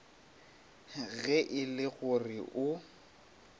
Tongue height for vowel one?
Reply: mid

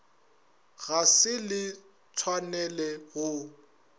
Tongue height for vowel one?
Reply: low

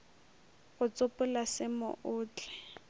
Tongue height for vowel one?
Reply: high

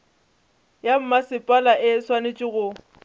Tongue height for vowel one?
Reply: low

